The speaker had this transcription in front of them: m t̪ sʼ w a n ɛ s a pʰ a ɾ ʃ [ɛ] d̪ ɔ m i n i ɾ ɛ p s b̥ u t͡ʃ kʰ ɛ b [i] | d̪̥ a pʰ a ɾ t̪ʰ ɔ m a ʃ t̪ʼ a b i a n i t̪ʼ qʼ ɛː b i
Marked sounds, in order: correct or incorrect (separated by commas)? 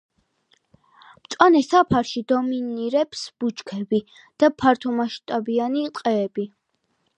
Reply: incorrect, correct